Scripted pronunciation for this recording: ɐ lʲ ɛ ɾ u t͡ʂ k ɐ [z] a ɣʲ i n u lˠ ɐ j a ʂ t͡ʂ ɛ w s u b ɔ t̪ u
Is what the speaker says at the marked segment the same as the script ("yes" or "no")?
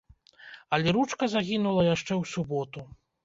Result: yes